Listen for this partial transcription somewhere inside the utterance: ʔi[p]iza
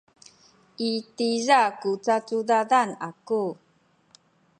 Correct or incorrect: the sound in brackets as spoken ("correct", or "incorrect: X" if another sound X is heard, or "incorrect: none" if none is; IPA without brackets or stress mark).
incorrect: t